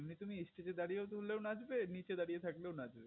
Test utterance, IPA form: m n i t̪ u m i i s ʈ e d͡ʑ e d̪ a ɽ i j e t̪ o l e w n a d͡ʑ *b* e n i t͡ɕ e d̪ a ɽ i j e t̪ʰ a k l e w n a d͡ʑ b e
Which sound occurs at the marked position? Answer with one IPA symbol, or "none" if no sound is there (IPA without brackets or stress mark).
b